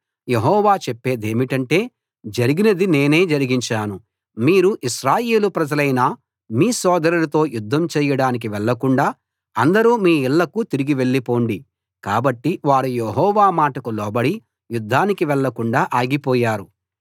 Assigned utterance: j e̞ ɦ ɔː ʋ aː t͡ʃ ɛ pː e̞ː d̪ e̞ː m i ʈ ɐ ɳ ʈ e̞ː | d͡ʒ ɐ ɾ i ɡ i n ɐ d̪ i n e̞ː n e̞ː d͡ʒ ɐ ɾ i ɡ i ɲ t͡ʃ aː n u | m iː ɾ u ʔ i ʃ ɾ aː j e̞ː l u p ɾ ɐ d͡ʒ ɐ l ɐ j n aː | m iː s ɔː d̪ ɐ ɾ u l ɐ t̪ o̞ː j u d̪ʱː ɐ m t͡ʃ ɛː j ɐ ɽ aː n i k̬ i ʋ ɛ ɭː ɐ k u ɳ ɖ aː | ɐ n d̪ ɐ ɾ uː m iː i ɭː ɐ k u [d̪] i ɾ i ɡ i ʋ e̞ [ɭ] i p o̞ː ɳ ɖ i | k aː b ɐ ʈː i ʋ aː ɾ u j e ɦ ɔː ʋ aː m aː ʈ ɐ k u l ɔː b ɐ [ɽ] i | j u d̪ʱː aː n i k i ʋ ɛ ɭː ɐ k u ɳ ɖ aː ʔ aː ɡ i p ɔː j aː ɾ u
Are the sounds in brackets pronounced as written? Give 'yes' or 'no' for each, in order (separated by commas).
no, no, yes